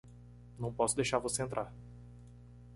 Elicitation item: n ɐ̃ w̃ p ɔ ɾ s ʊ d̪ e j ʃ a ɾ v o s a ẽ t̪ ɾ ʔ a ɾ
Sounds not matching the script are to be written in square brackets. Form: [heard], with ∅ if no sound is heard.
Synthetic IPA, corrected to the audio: n ɐ̃ w̃ p ɔ [∅] s ʊ d̪ e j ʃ a ɾ v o s [e] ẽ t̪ ɾ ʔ a ɾ